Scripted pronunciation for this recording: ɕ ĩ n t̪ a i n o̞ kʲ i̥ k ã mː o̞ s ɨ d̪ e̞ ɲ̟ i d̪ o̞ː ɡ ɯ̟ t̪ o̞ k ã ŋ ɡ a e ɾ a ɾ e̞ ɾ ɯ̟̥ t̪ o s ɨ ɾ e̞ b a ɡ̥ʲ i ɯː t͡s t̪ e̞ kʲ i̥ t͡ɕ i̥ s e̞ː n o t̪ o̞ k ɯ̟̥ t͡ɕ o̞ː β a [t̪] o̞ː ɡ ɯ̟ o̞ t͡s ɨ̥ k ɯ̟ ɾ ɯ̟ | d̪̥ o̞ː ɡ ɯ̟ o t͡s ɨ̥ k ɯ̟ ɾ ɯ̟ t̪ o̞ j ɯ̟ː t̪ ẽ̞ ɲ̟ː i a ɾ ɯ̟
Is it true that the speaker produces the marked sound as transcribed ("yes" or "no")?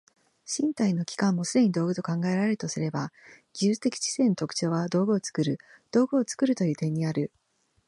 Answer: no